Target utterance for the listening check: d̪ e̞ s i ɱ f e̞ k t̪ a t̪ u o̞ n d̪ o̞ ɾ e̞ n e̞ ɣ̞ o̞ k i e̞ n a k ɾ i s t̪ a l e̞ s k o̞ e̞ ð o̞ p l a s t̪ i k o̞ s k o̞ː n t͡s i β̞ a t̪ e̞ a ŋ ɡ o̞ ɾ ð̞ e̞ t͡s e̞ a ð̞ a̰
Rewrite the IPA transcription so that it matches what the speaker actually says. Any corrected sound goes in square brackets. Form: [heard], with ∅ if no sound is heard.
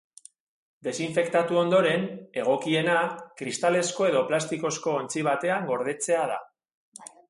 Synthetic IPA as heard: d̪ e̞ s i ɱ f e̞ k t̪ a t̪ u o̞ n d̪ o̞ ɾ e̞ n e̞ ɣ̞ o̞ k i e̞ n a k ɾ i s t̪ a l e̞ s k o̞ e̞ ð o̞ p l a s t̪ i k o̞ s k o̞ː n t͡s i β̞ a t̪ e̞ a ŋ ɡ o̞ ɾ ð̞ e̞ t͡s e̞ a ð̞ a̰